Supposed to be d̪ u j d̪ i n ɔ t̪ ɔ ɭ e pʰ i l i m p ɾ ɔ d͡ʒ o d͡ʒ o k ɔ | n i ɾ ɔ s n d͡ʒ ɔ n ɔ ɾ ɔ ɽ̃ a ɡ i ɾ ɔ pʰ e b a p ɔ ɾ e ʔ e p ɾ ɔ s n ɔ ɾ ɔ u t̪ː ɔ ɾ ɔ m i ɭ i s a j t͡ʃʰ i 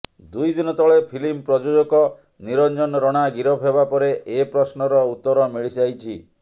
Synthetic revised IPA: d̪ u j d̪ i n ɔ t̪ ɔ ɭ e pʰ i l i m p ɾ ɔ d͡ʒ o d͡ʒ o k ɔ | n i ɾ ɔ n d͡ʒ ɔ n ɔ ɾ ɔ ɽ̃ a ɡ i ɾ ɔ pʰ e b a p ɔ ɾ e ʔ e p ɾ ɔ s n ɔ ɾ ɔ u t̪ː ɔ ɾ ɔ m i ɭ i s a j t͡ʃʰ i